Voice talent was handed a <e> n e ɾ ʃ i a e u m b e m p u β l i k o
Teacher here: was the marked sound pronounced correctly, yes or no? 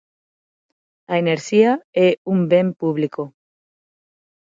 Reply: yes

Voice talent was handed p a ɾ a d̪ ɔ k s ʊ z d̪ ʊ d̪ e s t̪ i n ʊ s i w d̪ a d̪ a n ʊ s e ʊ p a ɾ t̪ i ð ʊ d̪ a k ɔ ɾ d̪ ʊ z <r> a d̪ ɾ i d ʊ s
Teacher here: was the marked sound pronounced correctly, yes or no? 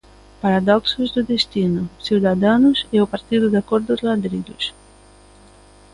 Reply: no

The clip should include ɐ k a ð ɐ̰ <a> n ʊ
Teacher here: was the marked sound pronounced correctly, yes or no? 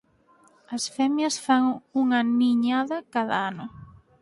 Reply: yes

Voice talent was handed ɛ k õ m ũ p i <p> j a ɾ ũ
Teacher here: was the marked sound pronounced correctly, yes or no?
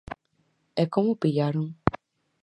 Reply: no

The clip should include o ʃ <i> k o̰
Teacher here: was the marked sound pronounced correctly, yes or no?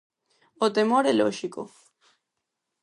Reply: yes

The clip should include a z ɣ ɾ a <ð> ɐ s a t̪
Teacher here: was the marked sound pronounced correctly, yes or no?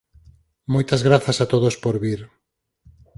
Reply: no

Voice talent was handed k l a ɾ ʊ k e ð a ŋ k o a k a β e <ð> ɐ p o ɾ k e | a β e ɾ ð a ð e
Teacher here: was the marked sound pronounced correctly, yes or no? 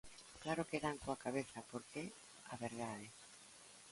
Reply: no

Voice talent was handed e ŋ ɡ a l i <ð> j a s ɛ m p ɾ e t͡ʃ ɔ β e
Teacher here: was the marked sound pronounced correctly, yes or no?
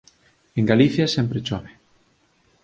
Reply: no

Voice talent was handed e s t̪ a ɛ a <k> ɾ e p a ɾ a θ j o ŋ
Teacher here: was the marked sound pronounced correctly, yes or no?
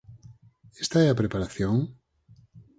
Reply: no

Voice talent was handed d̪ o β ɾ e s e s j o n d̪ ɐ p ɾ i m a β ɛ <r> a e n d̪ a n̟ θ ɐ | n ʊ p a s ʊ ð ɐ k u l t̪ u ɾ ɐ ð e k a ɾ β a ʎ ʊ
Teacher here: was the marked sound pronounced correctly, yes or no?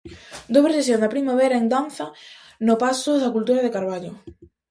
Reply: no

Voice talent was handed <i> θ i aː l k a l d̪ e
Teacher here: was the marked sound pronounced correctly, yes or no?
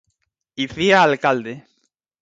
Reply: yes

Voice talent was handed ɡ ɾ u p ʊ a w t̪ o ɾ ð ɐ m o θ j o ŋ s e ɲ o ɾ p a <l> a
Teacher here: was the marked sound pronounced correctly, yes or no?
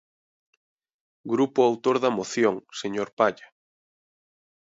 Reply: no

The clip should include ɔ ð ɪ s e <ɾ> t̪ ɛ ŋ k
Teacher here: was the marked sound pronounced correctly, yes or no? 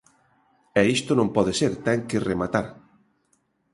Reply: yes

